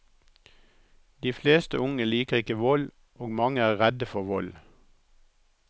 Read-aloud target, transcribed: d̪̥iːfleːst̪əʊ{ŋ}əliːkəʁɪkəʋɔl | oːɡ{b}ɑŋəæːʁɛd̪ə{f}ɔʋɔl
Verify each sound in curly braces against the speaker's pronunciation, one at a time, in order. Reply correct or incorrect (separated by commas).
correct, incorrect, correct